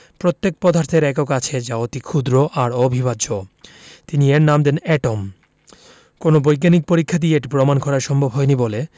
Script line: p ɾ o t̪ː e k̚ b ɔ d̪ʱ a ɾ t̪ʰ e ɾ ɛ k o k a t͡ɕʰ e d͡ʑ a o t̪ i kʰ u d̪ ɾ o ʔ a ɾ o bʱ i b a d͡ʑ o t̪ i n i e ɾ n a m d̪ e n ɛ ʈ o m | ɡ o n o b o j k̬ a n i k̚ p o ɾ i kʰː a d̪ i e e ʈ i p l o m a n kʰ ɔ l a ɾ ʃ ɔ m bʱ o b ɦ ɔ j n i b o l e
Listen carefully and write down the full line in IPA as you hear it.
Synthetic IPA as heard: p ɾ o t̪ː e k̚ p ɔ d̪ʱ a ɾ t̪ʰ e ɾ ɛ k o k a t͡ɕʰ e d͡ʑ a o t̪ i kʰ u d̪ ɾ o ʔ a ɾ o bʱ i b a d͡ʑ o t̪ i n i e ɾ n a m d̪ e n ɛ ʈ o m | k o n o b o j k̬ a n i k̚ p o ɾ i kʰː a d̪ i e e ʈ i p ɾ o m a n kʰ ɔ ɾ a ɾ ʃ ɔ m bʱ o b ɦ ɔ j n i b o l e